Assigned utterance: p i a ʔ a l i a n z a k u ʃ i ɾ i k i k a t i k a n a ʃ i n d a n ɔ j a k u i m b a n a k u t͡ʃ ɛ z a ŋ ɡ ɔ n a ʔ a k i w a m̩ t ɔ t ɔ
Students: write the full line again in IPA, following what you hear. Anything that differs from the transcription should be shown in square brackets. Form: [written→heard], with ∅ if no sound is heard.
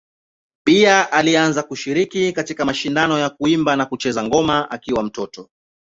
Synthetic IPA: p i a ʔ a l i a n z a k u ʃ i ɾ i k i k a t i k a [n→m] a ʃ i n d a n ɔ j a k u i m b a n a k u t͡ʃ ɛ z a ŋ ɡ ɔ [n→m] a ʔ a k i w a m̩ t ɔ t ɔ

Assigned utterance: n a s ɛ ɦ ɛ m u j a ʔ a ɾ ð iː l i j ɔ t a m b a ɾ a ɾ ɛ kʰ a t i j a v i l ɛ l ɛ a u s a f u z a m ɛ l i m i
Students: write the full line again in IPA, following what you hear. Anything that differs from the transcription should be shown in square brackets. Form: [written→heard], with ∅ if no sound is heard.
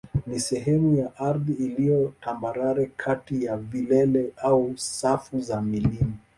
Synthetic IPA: n [a→i] s ɛ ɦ ɛ m u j a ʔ a ɾ ð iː l i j ɔ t a m b a ɾ a ɾ ɛ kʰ a t i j a v i l ɛ l ɛ a u s a f u z a m [ɛ→i] l i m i

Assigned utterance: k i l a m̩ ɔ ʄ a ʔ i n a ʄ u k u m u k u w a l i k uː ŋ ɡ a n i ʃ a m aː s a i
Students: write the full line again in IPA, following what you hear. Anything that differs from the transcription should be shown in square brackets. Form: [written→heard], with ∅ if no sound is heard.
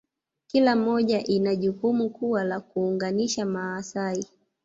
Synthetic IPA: k i l a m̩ ɔ ʄ a ʔ i n a ʄ u k u m u k u w a l [i→a] k uː ŋ ɡ a n i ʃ a m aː s a i

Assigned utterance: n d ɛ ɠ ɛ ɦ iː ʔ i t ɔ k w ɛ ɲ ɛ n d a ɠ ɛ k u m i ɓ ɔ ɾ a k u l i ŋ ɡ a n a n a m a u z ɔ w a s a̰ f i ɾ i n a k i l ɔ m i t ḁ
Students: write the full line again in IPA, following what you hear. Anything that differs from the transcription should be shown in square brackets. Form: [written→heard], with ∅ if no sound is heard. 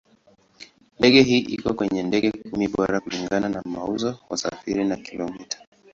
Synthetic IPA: n d ɛ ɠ ɛ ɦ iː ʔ i [t→k] ɔ k w ɛ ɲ ɛ n d [a→ɛ] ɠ ɛ k u m i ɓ ɔ ɾ a k u l i ŋ ɡ a n a n a m a u z ɔ w a s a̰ f i ɾ i n a k i l ɔ m i t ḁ

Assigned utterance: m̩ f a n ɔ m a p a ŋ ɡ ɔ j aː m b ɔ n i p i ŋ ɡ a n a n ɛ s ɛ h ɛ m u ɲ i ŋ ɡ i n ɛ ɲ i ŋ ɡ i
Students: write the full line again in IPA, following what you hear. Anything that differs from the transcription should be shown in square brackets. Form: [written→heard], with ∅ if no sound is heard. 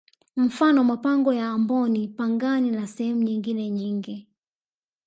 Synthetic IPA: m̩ f a n ɔ m a p a ŋ ɡ ɔ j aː m b ɔ n i p [i→a] ŋ ɡ a n [a→i] n [ɛ→a] s ɛ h ɛ m u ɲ i ŋ ɡ i n ɛ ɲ i ŋ ɡ i

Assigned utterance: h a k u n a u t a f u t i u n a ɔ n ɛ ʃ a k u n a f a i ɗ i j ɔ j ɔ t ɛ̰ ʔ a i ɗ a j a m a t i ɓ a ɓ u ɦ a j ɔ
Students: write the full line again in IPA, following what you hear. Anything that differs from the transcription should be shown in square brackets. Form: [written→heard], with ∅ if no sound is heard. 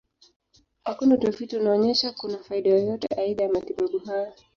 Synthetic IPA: h a k u n a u t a f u t i u n a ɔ [n→ɲ] ɛ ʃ a k u n a f a i ɗ [i→a] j ɔ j ɔ t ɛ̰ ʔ a i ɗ a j a m a t i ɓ a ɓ u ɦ a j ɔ

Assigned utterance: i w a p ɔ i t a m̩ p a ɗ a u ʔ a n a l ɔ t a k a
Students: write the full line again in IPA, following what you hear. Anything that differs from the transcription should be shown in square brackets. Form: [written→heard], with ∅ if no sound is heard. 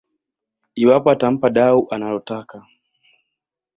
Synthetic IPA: i w a p ɔ [i→a] t a m̩ p a ɗ a u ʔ a n a l ɔ t a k a

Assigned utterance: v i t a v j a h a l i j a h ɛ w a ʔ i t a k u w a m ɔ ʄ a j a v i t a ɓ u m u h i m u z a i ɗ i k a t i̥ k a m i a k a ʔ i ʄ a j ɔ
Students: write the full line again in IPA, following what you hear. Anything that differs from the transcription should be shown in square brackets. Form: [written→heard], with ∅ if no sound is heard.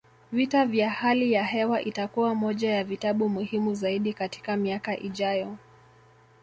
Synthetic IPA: v i t a v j a h a l i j a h ɛ w a ʔ i t a k u w a m ɔ ʄ a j a v i t a ɓ u m u h i m u z a i ɗ i k a t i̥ k a m i a k a ʔ i ʄ a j ɔ

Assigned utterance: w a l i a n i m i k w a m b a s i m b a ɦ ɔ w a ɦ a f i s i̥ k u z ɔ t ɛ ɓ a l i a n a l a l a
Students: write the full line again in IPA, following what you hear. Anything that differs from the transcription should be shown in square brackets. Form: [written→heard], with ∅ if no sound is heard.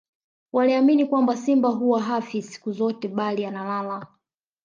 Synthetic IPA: w a l i a [n→m] i [m→n] i k w a m b a s i m b a ɦ [ɔ→u] w a ɦ a f i s i̥ k u z ɔ t ɛ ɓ a l i a n a l a l a

